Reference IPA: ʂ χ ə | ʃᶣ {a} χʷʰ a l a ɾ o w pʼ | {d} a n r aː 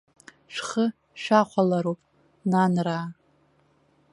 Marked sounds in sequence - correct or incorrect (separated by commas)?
correct, incorrect